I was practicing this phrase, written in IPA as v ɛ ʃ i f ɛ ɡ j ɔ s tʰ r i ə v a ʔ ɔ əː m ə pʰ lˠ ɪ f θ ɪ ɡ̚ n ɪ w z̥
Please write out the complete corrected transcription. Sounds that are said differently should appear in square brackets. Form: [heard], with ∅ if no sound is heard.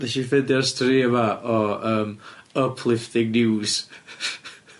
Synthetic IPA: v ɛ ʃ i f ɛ [d] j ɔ s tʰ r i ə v a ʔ ɔ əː m ə pʰ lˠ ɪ f θ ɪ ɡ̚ n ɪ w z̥